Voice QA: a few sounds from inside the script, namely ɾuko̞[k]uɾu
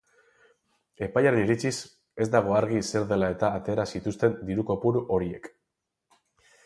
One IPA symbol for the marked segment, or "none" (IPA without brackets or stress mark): p